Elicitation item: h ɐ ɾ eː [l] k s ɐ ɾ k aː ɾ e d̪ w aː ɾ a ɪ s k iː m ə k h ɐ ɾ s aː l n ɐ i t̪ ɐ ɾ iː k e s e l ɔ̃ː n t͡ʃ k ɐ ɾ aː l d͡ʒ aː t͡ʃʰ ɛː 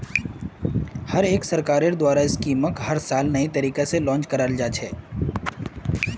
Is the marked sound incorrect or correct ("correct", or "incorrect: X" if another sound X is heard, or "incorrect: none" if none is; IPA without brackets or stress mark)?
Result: incorrect: none